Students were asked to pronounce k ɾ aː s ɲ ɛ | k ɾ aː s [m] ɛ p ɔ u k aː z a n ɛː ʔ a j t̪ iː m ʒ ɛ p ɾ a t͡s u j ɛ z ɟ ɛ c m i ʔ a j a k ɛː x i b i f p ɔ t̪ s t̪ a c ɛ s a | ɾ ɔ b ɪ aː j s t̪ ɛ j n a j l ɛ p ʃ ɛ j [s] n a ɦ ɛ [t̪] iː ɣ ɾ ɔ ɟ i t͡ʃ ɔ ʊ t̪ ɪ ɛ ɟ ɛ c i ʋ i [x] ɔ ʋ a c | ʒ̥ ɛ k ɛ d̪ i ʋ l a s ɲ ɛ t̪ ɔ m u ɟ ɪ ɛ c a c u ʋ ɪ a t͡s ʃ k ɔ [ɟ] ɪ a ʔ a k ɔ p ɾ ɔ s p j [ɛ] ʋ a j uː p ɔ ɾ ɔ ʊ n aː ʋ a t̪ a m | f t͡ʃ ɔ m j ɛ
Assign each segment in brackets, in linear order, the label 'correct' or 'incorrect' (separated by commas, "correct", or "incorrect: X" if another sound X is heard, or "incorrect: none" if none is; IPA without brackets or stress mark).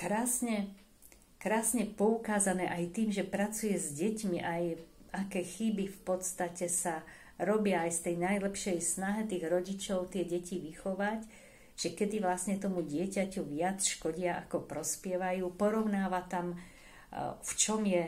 incorrect: ɲ, correct, correct, correct, correct, correct